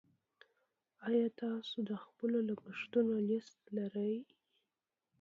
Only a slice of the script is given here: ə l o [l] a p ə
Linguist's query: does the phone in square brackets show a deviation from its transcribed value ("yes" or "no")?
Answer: no